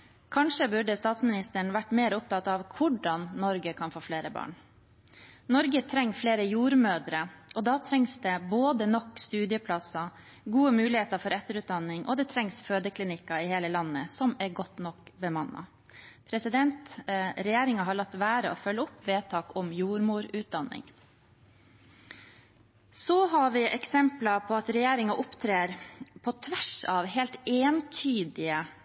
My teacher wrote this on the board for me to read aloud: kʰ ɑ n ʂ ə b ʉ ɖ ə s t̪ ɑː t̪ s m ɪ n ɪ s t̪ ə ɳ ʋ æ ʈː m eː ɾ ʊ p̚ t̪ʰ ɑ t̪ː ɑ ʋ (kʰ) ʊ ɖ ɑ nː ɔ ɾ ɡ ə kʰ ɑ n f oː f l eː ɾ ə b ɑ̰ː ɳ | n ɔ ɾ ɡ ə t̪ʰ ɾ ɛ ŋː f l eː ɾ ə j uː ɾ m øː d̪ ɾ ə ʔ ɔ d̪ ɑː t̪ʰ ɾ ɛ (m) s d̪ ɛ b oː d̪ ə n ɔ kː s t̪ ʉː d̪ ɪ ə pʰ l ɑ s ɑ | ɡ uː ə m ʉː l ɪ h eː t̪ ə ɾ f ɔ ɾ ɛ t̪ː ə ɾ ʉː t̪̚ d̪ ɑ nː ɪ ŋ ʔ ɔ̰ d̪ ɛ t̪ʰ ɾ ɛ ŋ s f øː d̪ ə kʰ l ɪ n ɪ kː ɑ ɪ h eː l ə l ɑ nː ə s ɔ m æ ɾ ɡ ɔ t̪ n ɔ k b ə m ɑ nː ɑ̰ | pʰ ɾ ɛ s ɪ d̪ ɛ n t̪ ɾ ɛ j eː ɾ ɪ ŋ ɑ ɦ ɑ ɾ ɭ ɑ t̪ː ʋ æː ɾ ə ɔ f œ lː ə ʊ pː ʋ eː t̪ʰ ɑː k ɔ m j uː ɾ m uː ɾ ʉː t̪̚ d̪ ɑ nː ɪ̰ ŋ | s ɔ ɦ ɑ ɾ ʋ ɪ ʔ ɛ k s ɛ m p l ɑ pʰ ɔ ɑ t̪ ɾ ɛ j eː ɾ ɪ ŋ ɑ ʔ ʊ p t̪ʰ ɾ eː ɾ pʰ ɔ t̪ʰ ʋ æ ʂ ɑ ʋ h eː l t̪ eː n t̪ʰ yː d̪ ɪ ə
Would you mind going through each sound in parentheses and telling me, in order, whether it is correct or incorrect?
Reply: correct, incorrect: ŋ

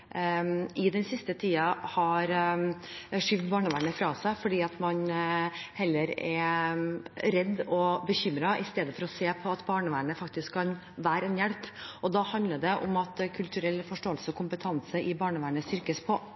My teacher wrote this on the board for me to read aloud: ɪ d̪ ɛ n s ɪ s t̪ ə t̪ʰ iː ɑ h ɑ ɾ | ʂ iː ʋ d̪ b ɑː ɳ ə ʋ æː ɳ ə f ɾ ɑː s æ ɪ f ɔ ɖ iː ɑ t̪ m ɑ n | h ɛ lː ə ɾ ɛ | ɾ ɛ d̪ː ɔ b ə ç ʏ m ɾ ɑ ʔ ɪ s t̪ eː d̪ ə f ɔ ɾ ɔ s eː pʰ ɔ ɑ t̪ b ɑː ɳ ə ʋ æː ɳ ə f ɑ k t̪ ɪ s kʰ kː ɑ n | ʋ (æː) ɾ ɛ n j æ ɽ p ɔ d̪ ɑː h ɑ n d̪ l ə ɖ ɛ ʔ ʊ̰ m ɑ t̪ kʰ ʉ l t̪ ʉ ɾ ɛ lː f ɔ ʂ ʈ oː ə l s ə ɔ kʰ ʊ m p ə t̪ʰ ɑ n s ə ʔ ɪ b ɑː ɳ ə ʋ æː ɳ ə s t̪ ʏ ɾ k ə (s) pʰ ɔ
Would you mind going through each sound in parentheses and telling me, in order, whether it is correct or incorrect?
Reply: correct, correct

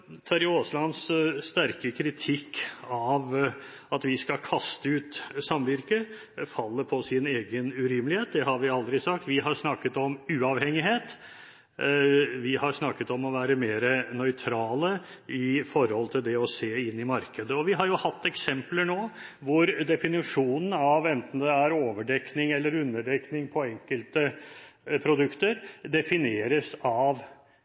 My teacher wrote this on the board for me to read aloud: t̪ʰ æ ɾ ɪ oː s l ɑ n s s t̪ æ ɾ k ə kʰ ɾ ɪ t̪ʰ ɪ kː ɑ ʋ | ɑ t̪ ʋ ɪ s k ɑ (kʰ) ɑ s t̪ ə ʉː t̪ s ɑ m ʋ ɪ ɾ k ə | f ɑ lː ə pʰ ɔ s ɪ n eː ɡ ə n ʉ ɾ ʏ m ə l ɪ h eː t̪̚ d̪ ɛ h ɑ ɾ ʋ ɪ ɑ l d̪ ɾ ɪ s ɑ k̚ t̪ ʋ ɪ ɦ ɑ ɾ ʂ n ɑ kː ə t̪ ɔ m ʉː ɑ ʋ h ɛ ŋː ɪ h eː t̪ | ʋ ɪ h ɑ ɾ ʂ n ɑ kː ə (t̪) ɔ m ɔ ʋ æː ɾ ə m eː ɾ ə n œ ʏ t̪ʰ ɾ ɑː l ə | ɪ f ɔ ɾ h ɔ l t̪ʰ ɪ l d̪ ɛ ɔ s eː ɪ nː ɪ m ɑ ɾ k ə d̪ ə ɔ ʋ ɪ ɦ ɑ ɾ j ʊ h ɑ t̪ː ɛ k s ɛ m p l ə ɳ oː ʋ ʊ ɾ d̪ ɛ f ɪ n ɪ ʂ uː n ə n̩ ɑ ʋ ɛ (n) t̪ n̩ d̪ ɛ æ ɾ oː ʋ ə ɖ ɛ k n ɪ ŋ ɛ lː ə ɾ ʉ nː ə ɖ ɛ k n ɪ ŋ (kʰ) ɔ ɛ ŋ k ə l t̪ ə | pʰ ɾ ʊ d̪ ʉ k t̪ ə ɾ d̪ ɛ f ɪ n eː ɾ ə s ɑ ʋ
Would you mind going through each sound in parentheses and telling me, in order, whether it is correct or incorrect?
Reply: correct, correct, correct, incorrect: pʰ

